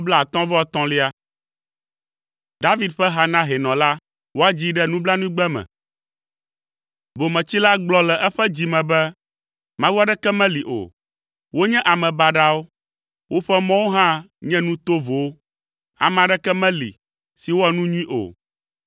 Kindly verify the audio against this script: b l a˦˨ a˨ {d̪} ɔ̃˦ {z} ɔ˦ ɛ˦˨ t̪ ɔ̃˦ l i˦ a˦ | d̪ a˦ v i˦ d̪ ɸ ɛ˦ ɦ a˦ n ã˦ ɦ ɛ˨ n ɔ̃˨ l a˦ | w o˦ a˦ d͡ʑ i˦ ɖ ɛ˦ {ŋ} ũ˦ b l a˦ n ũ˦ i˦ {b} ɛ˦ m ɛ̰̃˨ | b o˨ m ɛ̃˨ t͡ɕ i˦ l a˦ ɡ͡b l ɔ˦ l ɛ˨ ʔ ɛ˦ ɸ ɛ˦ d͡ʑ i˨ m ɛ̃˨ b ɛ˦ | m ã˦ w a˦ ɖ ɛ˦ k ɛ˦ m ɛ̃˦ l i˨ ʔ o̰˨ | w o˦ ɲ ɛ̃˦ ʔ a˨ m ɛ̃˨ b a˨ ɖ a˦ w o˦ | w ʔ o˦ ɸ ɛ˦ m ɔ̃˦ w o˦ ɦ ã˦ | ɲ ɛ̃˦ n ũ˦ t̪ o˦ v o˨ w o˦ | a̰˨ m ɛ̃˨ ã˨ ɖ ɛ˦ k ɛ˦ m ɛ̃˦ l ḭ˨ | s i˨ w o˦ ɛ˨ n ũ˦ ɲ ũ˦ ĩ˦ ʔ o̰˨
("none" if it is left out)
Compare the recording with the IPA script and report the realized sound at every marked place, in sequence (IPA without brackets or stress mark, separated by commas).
t̪, v, n, ɡ͡b